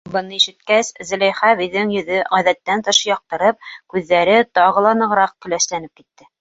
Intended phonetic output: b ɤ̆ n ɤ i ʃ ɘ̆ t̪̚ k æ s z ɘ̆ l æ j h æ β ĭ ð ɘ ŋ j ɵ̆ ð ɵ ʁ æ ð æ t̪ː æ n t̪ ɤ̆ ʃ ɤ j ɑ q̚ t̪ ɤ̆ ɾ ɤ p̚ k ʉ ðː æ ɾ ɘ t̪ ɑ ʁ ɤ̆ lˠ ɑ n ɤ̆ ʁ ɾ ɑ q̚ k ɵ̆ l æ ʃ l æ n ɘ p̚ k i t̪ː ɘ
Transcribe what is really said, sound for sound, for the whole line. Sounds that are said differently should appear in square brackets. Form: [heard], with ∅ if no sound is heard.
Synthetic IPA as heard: b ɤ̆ n ɤ i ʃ ɘ̆ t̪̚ k æ s z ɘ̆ l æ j [χ] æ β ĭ ð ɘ ŋ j ɵ̆ ð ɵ ʁ æ ð æ t̪ː æ n t̪ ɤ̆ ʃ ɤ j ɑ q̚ t̪ ɤ̆ ɾ ɤ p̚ k ʉ ðː æ ɾ ɘ t̪ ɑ ʁ ɤ̆ lˠ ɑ n ɤ̆ ʁ ɾ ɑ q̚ k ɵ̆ l æ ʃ l æ n ɘ p̚ k i t̪ː ɘ